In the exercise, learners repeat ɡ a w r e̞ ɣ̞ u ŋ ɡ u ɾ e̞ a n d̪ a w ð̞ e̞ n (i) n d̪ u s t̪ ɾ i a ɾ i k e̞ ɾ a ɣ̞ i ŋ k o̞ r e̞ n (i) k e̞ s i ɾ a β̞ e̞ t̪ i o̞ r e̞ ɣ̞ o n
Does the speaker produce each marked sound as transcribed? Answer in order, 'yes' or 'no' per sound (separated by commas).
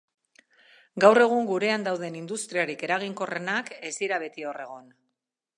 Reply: yes, no